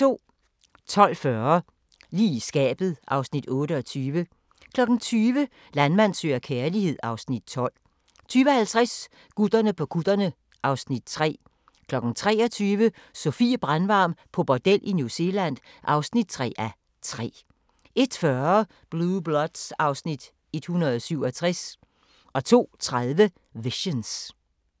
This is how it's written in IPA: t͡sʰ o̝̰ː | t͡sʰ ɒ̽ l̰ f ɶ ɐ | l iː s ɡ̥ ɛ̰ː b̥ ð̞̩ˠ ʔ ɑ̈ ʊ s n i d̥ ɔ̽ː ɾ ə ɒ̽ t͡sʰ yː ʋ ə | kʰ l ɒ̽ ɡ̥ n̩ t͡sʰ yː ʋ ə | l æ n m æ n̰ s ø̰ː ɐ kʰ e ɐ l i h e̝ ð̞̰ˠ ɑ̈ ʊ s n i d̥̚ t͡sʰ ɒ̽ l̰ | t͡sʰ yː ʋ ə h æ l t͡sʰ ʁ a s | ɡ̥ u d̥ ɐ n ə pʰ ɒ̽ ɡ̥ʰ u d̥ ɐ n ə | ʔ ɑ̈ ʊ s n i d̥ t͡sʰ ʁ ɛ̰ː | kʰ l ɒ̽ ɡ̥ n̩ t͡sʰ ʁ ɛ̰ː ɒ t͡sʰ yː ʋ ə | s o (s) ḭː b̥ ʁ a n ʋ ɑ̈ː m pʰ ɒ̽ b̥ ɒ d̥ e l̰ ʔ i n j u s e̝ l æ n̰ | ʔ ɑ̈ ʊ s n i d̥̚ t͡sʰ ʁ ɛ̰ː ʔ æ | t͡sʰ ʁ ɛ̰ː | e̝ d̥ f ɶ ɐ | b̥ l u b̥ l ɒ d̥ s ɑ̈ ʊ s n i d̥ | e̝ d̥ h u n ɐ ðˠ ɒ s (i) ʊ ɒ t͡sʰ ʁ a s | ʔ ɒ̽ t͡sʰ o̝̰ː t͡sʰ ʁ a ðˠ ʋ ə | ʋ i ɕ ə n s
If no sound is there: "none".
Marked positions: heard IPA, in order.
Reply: f, y

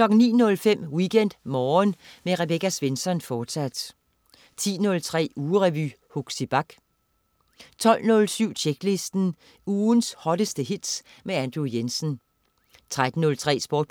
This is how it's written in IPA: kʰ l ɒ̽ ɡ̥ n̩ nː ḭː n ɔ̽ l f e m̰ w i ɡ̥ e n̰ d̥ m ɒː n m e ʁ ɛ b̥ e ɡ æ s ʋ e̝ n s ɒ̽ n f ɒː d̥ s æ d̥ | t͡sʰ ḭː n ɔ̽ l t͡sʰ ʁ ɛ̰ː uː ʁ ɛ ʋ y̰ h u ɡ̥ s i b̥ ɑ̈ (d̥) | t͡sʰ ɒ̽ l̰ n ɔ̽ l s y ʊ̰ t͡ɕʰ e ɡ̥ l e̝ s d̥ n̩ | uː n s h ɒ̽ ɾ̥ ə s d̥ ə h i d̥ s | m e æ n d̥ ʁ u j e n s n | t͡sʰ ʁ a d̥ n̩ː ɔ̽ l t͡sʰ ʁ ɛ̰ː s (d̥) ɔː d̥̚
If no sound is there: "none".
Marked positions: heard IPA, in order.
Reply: ɡ̥, b̥

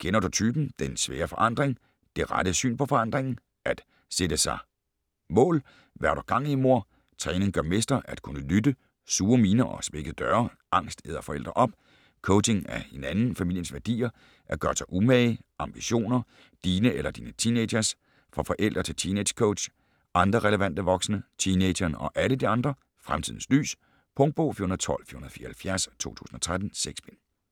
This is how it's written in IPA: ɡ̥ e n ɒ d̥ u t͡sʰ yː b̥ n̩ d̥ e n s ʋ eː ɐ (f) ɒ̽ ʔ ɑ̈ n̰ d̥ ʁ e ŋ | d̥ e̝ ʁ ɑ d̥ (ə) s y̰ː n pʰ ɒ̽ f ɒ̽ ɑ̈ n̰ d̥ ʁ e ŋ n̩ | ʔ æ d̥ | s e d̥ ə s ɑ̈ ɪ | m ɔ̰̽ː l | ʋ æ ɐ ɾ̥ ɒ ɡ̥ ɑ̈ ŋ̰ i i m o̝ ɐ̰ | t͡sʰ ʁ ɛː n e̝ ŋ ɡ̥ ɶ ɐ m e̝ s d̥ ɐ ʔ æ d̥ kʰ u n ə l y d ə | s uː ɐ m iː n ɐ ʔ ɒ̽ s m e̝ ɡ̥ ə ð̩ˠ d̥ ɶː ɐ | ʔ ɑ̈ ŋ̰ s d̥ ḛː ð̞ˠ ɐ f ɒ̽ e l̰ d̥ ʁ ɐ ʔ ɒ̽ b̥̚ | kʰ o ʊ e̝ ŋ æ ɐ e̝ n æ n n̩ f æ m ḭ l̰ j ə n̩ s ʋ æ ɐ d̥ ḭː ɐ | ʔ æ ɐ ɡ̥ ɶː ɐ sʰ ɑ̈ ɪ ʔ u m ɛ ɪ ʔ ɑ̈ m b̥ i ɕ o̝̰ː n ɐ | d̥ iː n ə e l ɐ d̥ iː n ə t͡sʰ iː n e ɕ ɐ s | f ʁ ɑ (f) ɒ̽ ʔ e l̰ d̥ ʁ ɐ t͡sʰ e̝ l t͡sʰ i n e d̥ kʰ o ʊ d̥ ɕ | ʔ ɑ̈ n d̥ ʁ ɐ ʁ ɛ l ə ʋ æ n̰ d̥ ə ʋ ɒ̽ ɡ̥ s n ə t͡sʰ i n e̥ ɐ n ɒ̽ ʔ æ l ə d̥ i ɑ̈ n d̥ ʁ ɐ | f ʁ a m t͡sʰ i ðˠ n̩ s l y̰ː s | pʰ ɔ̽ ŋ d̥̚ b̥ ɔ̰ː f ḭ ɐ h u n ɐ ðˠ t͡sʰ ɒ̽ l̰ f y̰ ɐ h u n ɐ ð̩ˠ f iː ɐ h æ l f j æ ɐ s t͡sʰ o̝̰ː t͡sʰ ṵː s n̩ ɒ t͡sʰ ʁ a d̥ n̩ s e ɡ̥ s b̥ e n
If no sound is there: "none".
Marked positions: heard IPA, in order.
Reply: f, ə, f

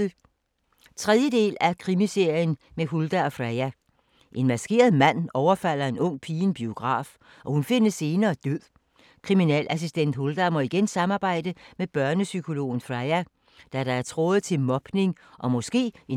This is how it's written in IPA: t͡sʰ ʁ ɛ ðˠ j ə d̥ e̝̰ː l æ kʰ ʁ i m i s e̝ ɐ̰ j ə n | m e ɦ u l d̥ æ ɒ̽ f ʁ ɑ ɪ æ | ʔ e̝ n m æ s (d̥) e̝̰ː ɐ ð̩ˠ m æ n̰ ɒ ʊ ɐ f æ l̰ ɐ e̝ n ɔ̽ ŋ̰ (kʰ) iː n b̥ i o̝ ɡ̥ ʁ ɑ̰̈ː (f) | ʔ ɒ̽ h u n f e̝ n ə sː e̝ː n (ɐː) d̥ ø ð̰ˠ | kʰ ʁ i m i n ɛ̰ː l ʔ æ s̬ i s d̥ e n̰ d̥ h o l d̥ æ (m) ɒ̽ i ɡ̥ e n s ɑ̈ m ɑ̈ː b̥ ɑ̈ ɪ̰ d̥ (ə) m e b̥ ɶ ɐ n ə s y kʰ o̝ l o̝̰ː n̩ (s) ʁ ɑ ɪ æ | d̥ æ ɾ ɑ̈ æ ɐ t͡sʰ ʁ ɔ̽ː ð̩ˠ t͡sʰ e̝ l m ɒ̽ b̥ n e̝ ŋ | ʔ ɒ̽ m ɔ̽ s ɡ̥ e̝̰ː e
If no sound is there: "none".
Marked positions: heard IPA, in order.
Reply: ɡ̥, pʰ, f, ɐː, m, ə, f

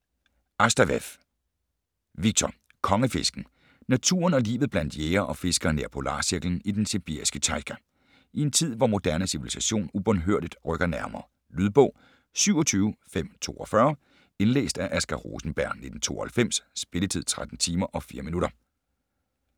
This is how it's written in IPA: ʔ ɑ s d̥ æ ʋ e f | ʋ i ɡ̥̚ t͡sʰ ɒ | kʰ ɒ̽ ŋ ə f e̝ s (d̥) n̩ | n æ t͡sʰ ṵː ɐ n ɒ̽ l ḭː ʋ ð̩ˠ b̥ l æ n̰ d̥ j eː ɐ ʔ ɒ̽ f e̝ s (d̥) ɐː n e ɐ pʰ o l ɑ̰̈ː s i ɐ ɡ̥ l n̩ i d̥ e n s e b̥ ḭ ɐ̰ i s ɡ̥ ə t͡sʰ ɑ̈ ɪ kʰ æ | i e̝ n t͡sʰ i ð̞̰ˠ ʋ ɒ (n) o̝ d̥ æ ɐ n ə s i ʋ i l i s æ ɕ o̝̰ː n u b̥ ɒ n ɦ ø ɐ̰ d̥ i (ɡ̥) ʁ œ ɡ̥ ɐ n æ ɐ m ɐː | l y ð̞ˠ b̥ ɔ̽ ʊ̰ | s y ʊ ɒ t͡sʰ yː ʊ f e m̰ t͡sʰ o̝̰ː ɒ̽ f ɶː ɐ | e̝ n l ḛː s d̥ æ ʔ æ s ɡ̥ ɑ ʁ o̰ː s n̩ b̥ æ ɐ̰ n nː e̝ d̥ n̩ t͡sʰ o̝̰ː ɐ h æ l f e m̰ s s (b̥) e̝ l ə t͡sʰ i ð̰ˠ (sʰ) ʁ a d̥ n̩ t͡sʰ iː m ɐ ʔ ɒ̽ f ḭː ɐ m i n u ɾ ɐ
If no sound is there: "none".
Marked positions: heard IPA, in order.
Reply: ɡ̥, ɡ̥, m, d̥, b̥, t͡sʰ

